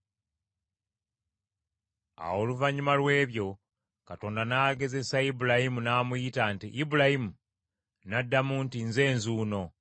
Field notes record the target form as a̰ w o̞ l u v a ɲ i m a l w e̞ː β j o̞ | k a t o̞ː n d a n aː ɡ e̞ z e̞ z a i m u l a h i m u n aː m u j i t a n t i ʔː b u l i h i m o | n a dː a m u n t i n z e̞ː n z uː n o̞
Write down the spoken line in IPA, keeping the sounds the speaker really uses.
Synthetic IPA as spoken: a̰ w o̞ l u v a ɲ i m a l w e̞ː β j o̞ | k a t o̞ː n d a n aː ɡ e̞ z e̞ s a i b u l a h i m u n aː m u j i t a n t i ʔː b u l a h i m u | n a dː a m u n t i n z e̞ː n z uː n o̞

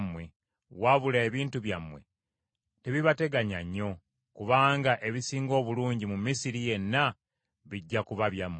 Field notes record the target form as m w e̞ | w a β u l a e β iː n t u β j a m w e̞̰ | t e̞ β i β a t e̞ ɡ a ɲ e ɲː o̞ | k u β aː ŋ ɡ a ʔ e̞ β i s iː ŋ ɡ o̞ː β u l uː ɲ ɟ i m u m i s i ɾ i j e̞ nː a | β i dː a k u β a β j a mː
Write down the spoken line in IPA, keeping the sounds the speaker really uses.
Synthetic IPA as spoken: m w e̞ | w a β u l a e β iː n t u β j a m w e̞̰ | t e̞ β i β a t e̞ ɡ a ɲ a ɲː o̞ | k u β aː ŋ ɡ a ʔ e̞ β i s iː ŋ ɡ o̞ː β u l uː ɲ ɟ i m u m i s i ɾ i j e̞ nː a | β i ɟː a k u β a β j a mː

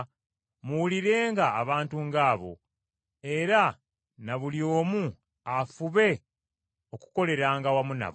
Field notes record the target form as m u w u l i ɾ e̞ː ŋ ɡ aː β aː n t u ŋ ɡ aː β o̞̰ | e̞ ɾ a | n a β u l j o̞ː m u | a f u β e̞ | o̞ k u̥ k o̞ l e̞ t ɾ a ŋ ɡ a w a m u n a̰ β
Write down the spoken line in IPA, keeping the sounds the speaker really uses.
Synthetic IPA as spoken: m u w u l i ɾ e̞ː ŋ ɡ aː β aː n t u ŋ ɡ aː β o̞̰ | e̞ ɾ a | n a β u l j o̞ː m u | a f u β e̞ | o̞ k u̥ k o̞ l e̞ ɾ a ŋ ɡ a w a m u n a̰ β

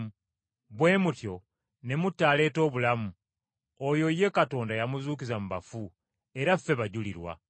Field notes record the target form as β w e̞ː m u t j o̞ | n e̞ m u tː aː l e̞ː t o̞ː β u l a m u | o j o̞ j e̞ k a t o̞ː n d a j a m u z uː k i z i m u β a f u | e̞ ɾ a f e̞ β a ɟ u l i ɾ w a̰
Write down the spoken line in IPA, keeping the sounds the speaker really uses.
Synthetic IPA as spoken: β w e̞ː m u t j o̞ | n e̞ m u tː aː l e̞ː t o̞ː β u l a m u | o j o̞ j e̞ k a t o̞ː n d a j a m u z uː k i z a m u β a f u | e̞ ɾ a f e̞ β a ɟ u l i ɾ w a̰

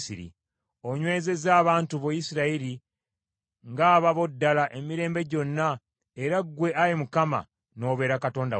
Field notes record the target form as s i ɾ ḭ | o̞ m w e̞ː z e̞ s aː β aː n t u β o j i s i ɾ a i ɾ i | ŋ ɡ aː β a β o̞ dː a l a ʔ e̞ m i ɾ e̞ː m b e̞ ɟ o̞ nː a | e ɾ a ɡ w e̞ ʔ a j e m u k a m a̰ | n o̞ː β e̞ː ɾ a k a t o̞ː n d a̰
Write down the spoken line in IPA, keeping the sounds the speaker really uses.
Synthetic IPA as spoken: s i ɾ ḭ | o̞ ɲ w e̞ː z e̞ z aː β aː n t u β o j i s i ɾ a i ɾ i | ŋ ɡ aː β a β o̞ dː a l a ʔ e̞ m i ɾ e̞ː m b e̞ ɟ o̞ nː a | e ɾ a ɡ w e̞ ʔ a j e m u k a m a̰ | n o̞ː β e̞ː ɾ a k a t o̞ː n d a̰

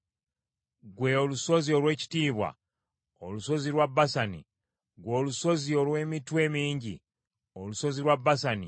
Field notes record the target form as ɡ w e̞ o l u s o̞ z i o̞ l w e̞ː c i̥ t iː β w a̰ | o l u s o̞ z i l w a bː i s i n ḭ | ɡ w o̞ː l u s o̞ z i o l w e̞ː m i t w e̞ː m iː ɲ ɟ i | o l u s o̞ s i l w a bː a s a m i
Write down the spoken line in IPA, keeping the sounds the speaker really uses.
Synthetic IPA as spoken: ɡ w e̞ o l u s o̞ z i o̞ l w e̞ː c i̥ t iː β w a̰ | o l u s o̞ z i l w a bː a s a n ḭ | ɡ w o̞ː l u s o̞ z i o l w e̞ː m i t w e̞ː m iː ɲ ɟ i | o l u s o̞ z i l w a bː a s a n i

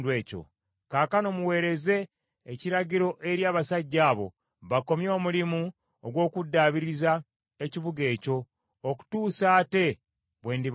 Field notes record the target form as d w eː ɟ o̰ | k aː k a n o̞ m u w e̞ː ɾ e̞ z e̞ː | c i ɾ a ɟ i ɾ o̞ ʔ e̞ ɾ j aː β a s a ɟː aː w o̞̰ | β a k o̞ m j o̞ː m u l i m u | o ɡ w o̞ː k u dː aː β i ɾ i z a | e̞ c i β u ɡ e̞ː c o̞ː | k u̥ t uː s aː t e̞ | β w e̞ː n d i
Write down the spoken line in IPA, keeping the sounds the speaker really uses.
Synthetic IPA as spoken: d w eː c o̰ | k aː k a n o̞ m u w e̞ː ɾ e̞ z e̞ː | c i ɾ a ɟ i ɾ o̞ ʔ e̞ ɾ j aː β a s a ɟː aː β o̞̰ | β a k o̞ m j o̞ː m u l i m u | o ɡ w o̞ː k u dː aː β i ɾ i z a | e̞ c i β u ɡ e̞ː c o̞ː | k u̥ t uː s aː t e̞ | β w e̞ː n d i

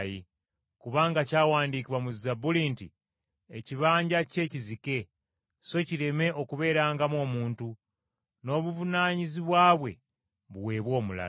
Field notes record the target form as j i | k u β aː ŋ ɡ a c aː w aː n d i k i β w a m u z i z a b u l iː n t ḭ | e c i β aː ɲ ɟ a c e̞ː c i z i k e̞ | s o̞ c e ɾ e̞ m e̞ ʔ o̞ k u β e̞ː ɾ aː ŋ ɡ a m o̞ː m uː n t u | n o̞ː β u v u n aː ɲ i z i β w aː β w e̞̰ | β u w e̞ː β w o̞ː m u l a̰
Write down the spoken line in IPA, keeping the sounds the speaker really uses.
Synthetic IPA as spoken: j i | k u β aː ŋ ɡ a c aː w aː n d i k i β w a m u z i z a b u l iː n t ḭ | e c i β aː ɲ ɟ a c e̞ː c i z i k e̞ | s o̞ c i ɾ e̞ m e̞ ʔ o̞ k u β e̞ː ɾ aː ŋ ɡ a m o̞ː m uː n t u | n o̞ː β u v u n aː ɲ i z i β w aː β w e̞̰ | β u w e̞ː β w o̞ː m u l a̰

